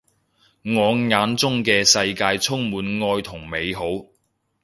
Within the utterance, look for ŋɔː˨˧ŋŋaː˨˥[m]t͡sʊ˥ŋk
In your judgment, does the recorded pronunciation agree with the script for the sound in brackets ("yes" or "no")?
no